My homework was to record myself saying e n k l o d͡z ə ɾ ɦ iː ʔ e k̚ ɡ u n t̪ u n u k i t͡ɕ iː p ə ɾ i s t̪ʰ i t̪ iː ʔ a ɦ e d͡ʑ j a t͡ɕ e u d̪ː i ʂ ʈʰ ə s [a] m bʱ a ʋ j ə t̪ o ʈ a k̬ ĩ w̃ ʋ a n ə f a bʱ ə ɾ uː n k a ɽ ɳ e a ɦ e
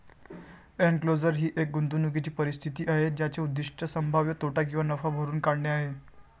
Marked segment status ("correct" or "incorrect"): incorrect